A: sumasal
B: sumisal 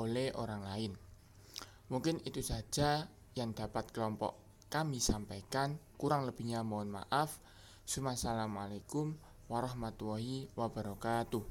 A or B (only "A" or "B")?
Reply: A